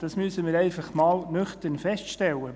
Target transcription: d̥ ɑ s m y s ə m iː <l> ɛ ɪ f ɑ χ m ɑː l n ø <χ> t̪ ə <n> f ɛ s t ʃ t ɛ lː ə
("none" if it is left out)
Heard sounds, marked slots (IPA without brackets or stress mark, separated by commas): ɾ, χ, n